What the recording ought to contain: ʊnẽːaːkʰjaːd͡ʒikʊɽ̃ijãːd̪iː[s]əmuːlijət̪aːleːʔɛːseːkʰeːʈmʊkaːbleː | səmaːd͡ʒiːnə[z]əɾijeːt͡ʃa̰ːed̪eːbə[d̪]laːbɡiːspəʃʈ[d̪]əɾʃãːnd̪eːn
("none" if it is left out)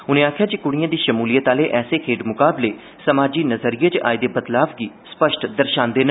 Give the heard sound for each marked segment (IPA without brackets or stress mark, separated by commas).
ʃ, z, t̪, d̪